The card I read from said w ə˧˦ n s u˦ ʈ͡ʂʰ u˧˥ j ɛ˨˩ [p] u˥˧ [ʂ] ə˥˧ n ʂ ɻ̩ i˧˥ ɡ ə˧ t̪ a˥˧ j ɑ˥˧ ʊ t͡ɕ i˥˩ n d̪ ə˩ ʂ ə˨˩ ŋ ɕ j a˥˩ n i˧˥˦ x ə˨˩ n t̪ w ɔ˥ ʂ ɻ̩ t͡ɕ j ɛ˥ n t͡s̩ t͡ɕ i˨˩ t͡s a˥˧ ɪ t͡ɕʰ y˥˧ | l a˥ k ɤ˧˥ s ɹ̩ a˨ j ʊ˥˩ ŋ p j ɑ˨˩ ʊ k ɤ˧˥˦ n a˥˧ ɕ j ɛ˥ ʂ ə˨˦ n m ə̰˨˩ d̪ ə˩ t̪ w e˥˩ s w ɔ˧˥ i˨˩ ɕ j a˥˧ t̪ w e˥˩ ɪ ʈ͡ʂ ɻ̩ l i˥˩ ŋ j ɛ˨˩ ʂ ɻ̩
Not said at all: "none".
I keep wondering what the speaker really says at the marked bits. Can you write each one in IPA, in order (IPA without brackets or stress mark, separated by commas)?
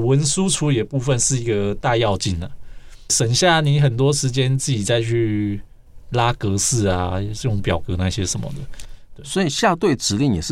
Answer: p, f